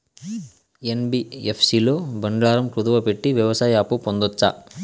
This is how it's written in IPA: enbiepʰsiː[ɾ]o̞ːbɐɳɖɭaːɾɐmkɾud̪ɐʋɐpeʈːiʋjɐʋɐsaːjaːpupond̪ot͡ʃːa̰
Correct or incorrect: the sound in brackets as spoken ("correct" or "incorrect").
incorrect